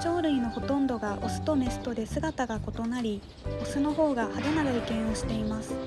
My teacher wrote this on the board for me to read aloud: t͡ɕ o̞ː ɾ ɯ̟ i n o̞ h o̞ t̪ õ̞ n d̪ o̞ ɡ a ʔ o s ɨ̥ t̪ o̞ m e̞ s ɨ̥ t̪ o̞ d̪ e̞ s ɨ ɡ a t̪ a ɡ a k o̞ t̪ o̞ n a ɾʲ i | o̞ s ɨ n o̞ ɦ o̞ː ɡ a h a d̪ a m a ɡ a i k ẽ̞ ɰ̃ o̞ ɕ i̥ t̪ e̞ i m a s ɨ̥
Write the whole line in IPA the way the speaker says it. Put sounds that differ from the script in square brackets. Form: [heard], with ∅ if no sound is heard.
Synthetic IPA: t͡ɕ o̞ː ɾ ɯ̟ i n o̞ h o̞ t̪ õ̞ n d̪ o̞ ɡ a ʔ o s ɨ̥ t̪ o̞ m e̞ s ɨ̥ t̪ o̞ d̪ e̞ s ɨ ɡ a t̪ a ɡ a k o̞ t̪ o̞ n a ɾʲ i | o̞ s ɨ n o̞ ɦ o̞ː ɡ a h a d̪ a [n] a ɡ a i k ẽ̞ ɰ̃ o̞ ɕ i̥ t̪ e̞ i m a s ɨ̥